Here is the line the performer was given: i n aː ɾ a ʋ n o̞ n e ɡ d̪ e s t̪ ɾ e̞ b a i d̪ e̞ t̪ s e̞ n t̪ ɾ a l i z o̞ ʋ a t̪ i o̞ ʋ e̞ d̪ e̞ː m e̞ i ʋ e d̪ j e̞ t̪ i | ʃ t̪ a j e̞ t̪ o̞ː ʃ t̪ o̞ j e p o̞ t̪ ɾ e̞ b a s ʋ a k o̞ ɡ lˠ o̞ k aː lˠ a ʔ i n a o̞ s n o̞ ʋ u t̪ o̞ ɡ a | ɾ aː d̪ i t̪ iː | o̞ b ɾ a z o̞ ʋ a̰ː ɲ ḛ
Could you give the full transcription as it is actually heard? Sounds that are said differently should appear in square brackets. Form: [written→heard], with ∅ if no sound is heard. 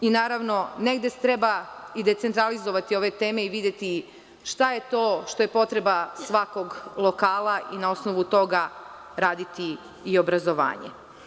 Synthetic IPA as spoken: i n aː ɾ a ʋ n o̞ n e ɡ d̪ e s t̪ ɾ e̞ b a i d̪ e̞ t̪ s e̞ n t̪ ɾ a l i z o̞ ʋ a t̪ i o̞ ʋ e̞ [d̪→t̪] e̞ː m e̞ i ʋ [e→i] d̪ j e̞ t̪ i | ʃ t̪ a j e̞ t̪ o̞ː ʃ t̪ o̞ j e p o̞ t̪ ɾ e̞ b a s ʋ a k o̞ ɡ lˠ o̞ k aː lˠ a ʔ i n a o̞ s n o̞ ʋ u t̪ o̞ ɡ a | ɾ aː d̪ i t̪ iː | o̞ b ɾ a z o̞ ʋ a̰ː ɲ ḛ